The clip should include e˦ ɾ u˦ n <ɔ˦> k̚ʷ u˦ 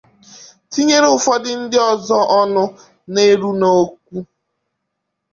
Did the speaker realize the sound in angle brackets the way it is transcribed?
no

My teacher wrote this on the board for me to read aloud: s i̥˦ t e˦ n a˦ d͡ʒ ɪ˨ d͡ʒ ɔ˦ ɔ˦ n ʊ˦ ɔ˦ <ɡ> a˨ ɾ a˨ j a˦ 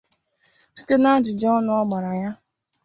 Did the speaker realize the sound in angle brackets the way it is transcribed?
no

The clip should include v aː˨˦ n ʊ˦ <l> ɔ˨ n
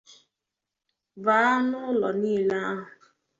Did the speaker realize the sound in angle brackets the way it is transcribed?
yes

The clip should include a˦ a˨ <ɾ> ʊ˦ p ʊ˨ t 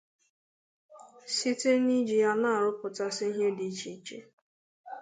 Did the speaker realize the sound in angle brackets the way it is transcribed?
yes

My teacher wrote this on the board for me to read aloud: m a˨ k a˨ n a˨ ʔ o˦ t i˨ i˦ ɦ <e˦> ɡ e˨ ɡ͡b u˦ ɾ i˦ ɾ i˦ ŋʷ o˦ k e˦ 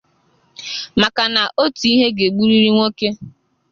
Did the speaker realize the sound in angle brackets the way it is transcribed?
yes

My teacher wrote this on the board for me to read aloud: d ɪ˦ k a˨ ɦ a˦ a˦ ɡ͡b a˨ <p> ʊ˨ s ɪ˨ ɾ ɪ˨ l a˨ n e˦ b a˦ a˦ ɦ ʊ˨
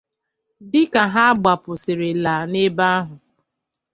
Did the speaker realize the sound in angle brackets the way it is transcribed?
yes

